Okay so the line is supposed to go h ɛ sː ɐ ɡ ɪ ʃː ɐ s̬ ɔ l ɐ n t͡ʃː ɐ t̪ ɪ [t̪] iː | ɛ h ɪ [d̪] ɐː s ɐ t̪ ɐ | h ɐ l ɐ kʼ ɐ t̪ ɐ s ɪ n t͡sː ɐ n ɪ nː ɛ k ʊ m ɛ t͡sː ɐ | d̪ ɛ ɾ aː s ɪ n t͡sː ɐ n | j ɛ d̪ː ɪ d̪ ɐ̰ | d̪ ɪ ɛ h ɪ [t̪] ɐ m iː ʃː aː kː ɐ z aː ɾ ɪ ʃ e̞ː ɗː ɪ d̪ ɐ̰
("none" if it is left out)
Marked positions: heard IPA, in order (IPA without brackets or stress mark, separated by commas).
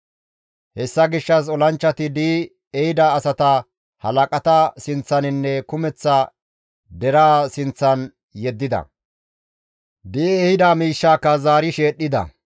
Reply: d̪, d̪, d̪